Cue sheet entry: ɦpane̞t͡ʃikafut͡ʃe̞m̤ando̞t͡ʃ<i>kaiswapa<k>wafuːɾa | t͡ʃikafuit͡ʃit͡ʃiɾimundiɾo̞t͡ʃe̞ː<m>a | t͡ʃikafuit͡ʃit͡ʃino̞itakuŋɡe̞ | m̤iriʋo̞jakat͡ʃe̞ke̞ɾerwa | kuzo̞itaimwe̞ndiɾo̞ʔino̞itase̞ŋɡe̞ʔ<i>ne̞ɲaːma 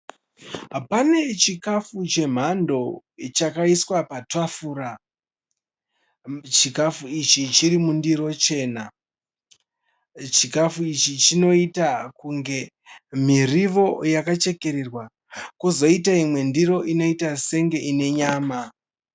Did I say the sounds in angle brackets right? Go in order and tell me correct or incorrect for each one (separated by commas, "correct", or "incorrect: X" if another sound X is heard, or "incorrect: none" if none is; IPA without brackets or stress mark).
incorrect: a, incorrect: t, incorrect: n, correct